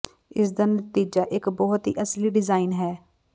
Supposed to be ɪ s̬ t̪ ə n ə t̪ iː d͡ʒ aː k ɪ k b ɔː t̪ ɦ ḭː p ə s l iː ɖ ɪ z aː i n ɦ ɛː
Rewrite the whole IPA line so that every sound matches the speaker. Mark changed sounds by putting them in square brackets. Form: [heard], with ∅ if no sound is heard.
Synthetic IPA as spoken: ɪ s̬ [d̪] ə n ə t̪ iː d͡ʒ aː [ʔ] ɪ k b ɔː t̪ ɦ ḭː [ʔ] ə s l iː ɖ ɪ z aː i n ɦ ɛː